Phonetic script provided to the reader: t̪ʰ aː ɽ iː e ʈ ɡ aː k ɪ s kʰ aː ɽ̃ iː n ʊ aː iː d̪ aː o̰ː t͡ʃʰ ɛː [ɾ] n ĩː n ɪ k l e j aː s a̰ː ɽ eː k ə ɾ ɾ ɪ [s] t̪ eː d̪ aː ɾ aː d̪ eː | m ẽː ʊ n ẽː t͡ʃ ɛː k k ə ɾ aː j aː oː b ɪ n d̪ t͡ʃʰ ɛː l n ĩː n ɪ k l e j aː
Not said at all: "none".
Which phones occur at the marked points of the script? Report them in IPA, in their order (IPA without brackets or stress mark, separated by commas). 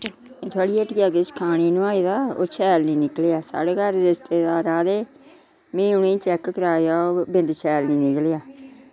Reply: l, s